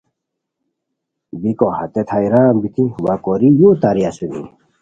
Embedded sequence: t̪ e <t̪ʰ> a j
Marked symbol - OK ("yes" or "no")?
yes